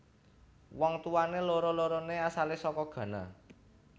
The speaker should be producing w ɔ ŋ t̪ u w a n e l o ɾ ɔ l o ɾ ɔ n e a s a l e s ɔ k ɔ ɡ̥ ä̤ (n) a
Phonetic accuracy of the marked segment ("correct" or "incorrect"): correct